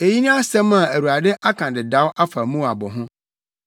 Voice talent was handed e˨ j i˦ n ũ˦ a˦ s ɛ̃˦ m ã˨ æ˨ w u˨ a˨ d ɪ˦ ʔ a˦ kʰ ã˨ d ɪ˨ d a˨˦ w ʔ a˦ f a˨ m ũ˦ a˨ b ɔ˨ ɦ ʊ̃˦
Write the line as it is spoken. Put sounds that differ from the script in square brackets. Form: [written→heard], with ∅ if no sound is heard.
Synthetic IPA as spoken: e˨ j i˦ n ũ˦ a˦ s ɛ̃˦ m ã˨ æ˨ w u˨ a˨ d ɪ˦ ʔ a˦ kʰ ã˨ d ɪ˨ d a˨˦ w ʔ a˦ f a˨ m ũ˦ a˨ b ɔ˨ ɦ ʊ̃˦

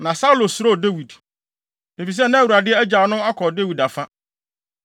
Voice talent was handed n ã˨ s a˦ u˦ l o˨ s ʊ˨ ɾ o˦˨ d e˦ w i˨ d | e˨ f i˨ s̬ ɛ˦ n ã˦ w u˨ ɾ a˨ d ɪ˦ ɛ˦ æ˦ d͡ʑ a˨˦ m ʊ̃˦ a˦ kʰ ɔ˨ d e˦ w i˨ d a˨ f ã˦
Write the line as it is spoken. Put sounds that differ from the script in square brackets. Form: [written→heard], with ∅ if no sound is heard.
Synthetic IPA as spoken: n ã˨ s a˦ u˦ l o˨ s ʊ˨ ɾ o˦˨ d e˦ w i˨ d | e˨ f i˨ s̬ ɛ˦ n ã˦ w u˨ ɾ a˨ d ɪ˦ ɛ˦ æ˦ d͡ʑ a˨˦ [m→n] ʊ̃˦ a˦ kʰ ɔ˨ d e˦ w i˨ d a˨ f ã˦

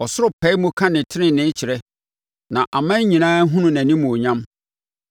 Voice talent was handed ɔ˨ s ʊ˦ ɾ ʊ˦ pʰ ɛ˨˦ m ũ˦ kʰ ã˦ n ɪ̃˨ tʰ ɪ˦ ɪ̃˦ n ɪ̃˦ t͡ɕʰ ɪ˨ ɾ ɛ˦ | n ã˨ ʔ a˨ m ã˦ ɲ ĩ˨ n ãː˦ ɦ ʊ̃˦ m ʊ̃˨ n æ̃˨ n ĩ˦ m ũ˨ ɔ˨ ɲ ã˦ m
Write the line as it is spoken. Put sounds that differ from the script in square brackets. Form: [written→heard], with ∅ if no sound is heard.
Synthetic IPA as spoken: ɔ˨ s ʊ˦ ɾ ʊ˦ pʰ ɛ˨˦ m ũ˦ kʰ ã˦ n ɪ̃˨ tʰ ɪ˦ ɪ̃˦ n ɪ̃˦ t͡ɕʰ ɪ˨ ɾ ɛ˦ | n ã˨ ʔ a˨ m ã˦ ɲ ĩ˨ n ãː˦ ɦ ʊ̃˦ [m→n] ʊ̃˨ n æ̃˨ n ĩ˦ m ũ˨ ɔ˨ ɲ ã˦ m

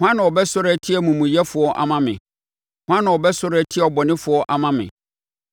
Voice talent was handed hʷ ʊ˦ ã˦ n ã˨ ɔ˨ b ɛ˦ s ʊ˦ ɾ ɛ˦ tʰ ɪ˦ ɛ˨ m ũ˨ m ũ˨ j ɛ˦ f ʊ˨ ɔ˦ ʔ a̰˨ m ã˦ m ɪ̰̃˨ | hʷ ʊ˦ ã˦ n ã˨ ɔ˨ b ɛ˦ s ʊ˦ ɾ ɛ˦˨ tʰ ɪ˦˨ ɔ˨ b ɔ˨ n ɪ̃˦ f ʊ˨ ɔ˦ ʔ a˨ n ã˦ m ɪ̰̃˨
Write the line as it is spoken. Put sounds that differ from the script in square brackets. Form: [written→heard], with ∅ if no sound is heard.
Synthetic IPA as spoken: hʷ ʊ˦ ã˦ n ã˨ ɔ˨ b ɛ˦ s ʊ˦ ɾ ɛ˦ tʰ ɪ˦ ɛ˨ m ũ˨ m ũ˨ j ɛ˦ f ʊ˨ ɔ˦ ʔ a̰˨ m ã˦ m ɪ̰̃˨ | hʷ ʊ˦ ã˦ n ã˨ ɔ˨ b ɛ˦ s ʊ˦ ɾ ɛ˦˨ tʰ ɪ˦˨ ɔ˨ b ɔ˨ n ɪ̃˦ f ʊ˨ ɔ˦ ʔ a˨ [n→m] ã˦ m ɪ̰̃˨

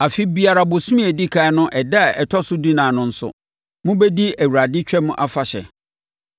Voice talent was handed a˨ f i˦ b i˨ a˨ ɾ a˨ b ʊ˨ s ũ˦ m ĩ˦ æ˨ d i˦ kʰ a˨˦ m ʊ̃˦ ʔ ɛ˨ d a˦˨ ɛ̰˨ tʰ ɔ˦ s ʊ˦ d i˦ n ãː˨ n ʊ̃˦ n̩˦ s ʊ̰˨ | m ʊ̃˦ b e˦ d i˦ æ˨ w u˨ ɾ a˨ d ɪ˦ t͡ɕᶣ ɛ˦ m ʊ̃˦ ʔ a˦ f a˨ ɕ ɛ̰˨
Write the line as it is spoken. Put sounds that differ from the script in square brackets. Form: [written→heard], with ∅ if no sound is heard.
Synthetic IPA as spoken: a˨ f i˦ b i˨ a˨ ɾ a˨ b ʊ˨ s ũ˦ m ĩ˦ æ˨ d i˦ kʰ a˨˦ [m→n] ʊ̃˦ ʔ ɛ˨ d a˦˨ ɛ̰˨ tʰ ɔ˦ s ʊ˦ d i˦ n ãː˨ n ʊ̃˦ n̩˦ s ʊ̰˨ | m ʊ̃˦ b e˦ d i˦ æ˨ w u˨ ɾ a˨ d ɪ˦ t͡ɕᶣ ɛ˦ m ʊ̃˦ ʔ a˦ f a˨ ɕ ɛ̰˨

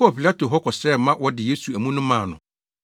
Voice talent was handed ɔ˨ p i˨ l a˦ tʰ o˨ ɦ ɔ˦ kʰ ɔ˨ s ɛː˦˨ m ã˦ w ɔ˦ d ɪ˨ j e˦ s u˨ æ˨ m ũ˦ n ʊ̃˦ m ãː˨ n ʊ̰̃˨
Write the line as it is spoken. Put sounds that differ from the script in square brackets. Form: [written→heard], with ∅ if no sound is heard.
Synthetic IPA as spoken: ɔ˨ p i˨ l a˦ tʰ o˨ ɦ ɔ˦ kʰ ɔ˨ s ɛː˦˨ m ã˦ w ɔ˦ d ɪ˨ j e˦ s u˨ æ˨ m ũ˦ n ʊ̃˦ m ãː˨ n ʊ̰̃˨

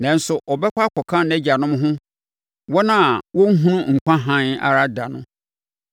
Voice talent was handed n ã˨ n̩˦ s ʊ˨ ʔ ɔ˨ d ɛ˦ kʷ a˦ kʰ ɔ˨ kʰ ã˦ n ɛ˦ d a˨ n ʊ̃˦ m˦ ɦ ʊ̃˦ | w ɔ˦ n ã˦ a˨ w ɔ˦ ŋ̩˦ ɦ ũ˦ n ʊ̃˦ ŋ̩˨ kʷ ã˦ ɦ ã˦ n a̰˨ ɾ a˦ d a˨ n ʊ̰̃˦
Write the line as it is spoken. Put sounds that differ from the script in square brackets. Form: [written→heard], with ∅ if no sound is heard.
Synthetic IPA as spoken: n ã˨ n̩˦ s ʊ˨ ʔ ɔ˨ [d→b] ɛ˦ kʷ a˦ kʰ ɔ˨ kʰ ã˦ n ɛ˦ [d→d͡ʑ] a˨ n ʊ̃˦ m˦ ɦ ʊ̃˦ | w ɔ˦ n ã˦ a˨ w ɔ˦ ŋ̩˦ ɦ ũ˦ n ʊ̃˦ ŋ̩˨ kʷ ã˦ ɦ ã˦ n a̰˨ ɾ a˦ d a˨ n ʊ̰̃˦

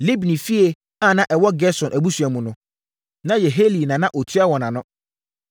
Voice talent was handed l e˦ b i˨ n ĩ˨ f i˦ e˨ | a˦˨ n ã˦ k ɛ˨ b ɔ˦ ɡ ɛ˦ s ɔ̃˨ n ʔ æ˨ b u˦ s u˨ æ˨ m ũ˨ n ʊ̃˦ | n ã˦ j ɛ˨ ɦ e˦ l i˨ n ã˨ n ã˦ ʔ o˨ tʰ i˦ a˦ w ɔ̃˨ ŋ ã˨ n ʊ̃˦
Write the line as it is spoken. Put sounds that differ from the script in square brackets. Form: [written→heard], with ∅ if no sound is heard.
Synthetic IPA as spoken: l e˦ b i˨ n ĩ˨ f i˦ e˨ | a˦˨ n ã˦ [k→ʔ] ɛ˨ [b→w] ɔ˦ ɡ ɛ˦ s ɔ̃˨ n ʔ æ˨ b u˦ s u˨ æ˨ m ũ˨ n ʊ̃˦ | n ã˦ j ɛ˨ ɦ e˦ l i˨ n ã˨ n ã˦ ʔ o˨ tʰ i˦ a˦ w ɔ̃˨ [ŋ→n] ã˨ n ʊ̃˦

